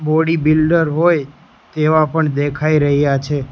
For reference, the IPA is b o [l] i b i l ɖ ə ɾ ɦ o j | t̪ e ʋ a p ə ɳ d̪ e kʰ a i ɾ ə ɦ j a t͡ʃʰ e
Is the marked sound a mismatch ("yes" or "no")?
yes